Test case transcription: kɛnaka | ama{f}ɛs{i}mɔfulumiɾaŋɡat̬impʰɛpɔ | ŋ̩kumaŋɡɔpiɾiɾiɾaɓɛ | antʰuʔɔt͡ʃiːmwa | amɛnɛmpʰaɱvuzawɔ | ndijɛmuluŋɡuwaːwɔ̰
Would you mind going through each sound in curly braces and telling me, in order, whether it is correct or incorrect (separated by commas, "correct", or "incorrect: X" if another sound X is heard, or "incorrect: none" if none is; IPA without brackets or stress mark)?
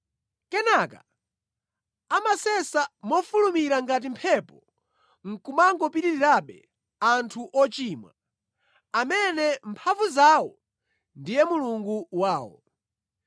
incorrect: s, incorrect: a